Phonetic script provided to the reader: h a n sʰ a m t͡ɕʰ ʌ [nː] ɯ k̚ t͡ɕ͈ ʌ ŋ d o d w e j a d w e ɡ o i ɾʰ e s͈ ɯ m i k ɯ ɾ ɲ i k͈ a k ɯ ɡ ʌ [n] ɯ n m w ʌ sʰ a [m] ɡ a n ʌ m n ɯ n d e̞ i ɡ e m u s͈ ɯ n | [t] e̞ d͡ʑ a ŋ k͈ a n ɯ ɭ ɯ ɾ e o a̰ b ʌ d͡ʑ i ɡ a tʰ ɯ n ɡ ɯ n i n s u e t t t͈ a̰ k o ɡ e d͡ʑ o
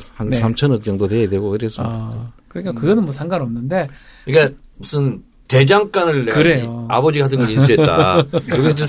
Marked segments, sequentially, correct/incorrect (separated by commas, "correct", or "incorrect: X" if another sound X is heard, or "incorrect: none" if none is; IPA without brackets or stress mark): incorrect: n, correct, incorrect: ŋ, correct